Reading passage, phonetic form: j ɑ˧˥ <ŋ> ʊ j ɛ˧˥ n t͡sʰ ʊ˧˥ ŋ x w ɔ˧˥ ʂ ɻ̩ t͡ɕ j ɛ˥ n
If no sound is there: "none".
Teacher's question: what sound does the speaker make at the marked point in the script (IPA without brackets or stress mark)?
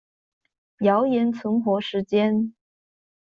none